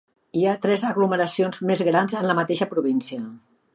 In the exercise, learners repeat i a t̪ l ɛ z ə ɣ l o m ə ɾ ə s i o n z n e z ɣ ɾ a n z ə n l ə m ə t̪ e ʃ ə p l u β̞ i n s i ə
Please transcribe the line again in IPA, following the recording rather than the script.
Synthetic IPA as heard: i a t̪ ɾ ɛ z ə ɣ l u m ə ɾ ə s i o n z m e z ɣ ɾ a n z ə n l ə m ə t̪ e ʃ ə p ɾ u β̞ i n s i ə